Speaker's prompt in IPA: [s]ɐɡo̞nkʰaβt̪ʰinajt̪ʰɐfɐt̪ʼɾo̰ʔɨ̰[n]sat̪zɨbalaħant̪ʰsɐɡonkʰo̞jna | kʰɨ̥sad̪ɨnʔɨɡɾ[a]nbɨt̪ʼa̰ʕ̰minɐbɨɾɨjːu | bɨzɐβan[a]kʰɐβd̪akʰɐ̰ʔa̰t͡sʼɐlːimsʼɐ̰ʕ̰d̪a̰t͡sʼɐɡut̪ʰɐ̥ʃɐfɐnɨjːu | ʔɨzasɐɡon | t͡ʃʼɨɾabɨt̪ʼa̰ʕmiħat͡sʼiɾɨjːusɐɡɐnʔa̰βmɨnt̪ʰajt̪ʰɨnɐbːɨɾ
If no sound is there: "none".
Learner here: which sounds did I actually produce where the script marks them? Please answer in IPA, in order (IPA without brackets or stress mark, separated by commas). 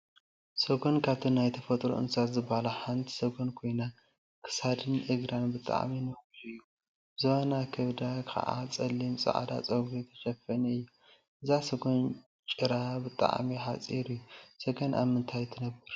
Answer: s, n, a, a